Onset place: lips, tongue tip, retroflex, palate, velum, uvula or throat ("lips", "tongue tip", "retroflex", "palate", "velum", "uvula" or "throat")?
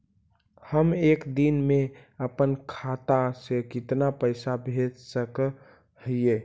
throat